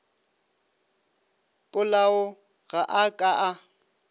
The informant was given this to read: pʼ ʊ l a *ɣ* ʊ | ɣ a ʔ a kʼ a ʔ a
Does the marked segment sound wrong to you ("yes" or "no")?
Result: yes